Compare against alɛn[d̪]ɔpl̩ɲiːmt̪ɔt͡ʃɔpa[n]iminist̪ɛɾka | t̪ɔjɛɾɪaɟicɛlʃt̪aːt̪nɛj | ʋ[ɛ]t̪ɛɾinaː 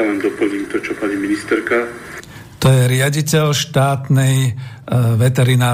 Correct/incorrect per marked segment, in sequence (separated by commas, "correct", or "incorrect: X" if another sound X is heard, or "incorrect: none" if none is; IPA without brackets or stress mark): correct, incorrect: ɲ, correct